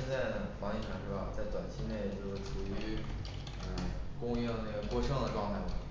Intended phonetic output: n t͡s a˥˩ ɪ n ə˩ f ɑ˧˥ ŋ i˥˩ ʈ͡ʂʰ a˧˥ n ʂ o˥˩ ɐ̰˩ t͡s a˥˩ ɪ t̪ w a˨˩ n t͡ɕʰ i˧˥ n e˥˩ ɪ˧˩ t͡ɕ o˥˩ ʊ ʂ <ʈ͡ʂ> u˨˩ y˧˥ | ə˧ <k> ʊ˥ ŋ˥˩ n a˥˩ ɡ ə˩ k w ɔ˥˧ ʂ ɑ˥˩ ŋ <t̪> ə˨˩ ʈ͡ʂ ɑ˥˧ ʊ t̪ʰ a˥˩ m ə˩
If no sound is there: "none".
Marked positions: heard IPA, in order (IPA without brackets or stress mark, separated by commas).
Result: ʈ͡ʂʰ, k, d̪